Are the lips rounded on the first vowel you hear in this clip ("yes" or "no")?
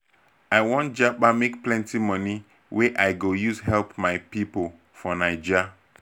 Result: no